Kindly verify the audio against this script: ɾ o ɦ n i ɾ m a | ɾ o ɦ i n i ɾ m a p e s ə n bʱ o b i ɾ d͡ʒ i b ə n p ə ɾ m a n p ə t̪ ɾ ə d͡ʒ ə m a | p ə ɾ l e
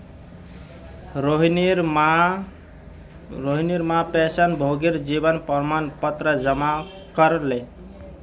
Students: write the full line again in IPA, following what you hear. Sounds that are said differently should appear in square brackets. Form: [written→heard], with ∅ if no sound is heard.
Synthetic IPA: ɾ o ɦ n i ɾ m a | ɾ o ɦ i n i ɾ m a p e s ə n bʱ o [b→ɡ] i ɾ d͡ʒ i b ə n p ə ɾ m a n p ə t̪ ɾ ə d͡ʒ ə m a | [p→k] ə ɾ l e